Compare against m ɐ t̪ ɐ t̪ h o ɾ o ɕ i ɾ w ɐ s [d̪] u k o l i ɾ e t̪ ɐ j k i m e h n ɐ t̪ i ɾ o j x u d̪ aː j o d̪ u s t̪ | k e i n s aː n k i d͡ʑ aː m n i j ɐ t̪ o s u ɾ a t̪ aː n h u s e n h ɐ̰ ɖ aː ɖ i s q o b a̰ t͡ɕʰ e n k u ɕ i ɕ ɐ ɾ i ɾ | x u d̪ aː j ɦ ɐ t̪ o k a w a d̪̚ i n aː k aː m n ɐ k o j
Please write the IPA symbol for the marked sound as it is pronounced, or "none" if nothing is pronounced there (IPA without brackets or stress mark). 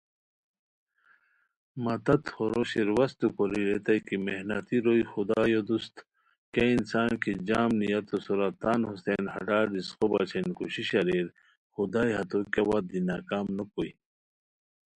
t̪